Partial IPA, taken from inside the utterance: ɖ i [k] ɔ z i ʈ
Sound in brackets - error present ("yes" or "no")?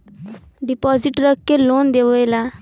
yes